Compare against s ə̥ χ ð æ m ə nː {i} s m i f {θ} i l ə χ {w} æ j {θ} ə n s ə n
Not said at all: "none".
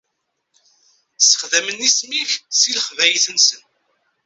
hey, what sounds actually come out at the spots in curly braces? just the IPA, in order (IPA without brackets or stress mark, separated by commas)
i, s, v, θ